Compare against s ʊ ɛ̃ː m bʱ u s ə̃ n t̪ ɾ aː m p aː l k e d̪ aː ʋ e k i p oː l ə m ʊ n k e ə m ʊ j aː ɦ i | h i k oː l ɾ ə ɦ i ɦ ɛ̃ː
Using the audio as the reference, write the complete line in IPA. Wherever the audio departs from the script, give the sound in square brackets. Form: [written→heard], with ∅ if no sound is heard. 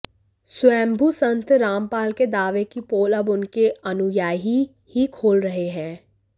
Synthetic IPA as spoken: s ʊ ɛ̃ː m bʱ u s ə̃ n t̪ ɾ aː m p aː l k e d̪ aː ʋ e k i p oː l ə [m→b] ʊ n k e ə [m→n] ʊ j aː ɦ i | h i [k→kʰ] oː l ɾ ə ɦ [i→e] ɦ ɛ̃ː